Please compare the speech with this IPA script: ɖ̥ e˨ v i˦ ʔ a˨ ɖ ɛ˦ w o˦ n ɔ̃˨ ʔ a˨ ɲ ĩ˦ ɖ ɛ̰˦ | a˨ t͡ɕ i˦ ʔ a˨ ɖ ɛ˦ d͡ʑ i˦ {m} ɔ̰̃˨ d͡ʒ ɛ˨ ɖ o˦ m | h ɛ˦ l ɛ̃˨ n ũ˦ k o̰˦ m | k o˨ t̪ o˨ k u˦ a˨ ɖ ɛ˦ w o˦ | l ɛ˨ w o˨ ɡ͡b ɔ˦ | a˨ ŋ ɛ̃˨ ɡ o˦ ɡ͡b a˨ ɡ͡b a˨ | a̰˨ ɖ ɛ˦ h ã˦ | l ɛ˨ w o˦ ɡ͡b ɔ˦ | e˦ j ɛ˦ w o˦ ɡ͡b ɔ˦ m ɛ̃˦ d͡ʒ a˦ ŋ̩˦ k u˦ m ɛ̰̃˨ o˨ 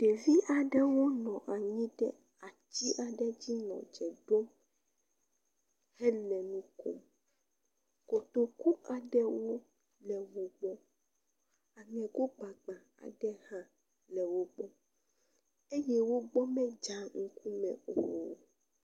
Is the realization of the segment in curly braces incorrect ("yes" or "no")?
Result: yes